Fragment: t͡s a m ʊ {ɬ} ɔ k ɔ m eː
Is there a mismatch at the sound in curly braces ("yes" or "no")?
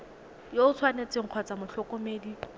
no